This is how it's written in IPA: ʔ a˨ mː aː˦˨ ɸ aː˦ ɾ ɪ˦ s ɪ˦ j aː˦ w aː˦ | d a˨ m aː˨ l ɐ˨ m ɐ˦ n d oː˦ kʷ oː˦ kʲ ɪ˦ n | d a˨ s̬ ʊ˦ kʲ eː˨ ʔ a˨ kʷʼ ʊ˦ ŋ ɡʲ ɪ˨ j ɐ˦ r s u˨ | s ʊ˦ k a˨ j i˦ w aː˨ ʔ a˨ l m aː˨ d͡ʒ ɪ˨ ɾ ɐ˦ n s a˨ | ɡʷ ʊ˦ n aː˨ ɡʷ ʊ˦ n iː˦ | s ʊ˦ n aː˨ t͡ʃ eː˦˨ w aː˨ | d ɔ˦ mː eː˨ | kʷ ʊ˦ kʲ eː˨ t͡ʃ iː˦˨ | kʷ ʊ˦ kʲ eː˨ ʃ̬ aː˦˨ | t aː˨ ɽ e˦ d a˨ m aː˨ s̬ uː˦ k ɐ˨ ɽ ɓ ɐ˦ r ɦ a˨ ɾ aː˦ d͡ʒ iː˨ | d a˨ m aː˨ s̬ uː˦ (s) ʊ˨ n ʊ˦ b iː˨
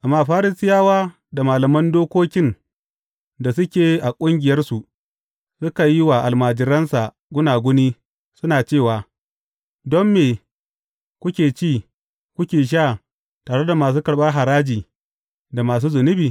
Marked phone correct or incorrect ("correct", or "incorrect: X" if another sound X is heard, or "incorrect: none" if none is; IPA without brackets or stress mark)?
incorrect: z